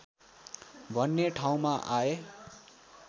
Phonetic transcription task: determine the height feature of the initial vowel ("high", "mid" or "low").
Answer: mid